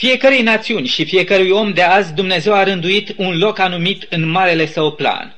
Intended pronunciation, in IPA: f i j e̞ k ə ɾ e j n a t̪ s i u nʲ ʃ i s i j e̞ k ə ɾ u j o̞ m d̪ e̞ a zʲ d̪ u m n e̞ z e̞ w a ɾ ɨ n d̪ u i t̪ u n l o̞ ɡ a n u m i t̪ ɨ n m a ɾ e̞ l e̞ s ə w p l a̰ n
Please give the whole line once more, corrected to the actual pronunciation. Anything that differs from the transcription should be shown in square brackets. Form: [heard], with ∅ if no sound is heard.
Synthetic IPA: f i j e̞ k ə ɾ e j n a t̪ s i u nʲ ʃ i [f] i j e̞ k ə ɾ u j o̞ m d̪ e̞ a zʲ d̪ u m n e̞ z e̞ w a ɾ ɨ n d̪ u i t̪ u n l o̞ [k] a n u m i t̪ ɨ n m a ɾ e̞ l e̞ s ə w p l a̰ n